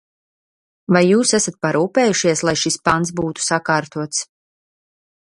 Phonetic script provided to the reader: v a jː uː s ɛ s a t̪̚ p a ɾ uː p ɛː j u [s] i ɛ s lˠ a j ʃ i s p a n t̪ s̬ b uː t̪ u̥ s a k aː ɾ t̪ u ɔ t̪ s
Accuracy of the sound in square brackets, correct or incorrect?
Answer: incorrect